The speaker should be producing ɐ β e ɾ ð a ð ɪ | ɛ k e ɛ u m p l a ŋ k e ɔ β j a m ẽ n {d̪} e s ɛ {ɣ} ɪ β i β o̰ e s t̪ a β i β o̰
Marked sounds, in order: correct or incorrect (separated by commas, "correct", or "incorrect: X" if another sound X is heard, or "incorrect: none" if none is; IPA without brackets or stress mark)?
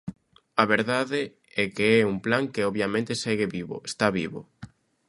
incorrect: t̪, correct